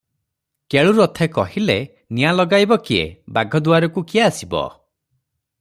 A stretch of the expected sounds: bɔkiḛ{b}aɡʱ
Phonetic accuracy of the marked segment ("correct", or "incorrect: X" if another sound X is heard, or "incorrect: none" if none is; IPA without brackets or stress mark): correct